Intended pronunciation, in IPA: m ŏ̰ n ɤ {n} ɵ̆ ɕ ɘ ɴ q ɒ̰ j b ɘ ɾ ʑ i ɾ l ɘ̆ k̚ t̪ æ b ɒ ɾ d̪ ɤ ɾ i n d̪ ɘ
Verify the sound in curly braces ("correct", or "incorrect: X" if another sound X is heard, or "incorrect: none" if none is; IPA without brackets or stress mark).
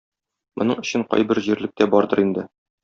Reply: incorrect: ɴ